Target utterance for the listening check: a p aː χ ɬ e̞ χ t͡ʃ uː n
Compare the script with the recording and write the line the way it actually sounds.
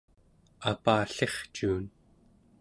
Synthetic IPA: a p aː ɬ e̞ χ t͡ʃ uː n